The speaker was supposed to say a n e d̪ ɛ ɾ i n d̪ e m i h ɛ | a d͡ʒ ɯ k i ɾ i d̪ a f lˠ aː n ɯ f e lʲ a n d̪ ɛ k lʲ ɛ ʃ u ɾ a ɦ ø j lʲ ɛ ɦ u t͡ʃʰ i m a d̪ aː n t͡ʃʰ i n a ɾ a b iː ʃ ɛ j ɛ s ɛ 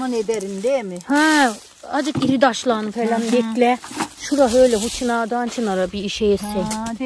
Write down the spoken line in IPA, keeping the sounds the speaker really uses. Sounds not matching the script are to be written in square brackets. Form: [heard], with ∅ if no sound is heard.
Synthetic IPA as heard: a n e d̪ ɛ ɾ i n d̪ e m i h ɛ | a d͡ʒ ɯ k i ɾ i d̪ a [ʃ] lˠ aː n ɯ f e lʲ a n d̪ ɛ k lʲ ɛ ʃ u ɾ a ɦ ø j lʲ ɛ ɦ u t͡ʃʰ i [n] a d̪ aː n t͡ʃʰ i n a ɾ a b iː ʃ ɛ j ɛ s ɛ